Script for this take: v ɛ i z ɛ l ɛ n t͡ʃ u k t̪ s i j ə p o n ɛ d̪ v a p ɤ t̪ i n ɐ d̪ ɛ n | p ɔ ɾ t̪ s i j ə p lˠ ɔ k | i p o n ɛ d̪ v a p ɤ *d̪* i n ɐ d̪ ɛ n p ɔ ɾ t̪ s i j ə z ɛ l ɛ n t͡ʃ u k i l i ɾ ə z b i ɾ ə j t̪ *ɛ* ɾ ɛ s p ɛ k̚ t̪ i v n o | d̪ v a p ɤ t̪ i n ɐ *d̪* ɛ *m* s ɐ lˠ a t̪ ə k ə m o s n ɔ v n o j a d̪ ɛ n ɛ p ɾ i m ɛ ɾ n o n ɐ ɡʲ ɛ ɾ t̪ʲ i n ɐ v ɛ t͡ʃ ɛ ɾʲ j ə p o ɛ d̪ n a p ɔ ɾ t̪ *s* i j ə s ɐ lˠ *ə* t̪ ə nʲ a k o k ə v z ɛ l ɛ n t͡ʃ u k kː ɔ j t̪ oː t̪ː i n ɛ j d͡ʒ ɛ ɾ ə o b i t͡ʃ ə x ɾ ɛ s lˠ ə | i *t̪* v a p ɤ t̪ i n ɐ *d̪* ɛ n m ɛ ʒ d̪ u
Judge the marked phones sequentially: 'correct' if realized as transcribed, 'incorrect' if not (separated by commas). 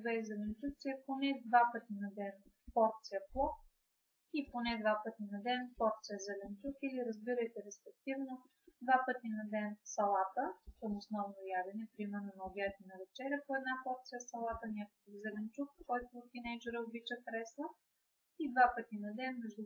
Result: incorrect, correct, correct, incorrect, correct, incorrect, incorrect, correct